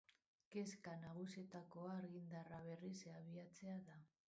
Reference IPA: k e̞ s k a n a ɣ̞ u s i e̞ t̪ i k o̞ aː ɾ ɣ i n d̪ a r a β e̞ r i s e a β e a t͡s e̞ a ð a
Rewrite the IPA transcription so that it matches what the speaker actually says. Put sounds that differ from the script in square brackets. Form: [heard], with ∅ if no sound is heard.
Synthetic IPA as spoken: k e̞ s k a n a ɣ̞ u s i e̞ t̪ [a] k o̞ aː ɾ ɣ i n d̪ a r a β e̞ r i s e a β [i] a t͡s e̞ a ð a